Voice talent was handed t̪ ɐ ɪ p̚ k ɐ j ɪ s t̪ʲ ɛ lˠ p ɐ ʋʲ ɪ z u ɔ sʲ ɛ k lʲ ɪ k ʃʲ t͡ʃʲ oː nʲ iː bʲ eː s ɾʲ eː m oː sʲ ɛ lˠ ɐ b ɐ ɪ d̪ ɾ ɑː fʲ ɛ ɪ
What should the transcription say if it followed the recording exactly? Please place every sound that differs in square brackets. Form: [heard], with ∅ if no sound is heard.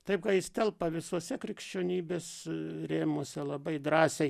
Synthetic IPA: t̪ ɐ ɪ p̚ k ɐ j ɪ s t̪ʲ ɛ lˠ p ɐ ʋʲ ɪ [s] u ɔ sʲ ɛ k [ɾʲ] ɪ k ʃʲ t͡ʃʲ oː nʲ iː bʲ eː s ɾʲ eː m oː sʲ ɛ lˠ ɐ b ɐ ɪ d̪ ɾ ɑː [sʲ] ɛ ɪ